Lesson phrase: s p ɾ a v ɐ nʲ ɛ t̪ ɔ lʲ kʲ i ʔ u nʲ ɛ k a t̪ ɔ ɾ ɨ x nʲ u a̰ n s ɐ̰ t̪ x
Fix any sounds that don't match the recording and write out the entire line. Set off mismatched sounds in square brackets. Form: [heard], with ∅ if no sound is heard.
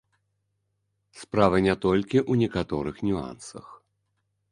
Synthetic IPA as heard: s p ɾ a v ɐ nʲ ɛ t̪ ɔ lʲ kʲ i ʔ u nʲ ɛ k a t̪ ɔ ɾ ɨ x nʲ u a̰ n s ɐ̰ [∅] x